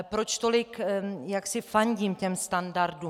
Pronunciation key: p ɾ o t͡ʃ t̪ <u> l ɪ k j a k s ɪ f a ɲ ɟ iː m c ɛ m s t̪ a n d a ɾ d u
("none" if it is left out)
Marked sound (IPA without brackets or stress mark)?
o